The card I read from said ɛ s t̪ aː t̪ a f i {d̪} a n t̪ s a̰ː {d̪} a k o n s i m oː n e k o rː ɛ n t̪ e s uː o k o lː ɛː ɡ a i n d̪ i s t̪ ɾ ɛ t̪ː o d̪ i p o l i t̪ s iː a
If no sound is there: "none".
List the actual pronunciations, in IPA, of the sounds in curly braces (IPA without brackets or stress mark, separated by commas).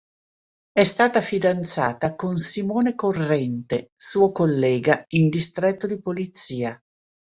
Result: d̪, t̪